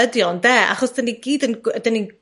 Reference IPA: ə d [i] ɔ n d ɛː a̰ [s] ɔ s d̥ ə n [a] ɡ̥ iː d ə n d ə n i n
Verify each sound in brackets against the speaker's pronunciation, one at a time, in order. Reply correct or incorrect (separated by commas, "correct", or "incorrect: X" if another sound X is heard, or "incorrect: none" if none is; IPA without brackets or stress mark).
incorrect: j, incorrect: χ, incorrect: i